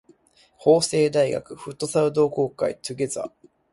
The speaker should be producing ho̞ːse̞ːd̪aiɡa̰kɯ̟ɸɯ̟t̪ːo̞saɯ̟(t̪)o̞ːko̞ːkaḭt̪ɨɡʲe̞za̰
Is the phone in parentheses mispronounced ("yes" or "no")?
yes